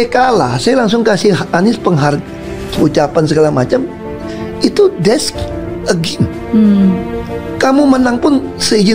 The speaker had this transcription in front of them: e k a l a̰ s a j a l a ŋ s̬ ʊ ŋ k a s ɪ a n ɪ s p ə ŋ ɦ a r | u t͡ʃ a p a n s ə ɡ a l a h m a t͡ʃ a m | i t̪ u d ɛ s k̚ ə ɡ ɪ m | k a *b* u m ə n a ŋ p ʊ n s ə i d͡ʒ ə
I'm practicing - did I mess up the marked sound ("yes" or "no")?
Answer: yes